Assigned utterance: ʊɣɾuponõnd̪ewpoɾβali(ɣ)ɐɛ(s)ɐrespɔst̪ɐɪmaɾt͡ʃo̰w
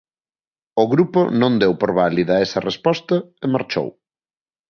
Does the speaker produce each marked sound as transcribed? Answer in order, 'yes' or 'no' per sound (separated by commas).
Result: no, yes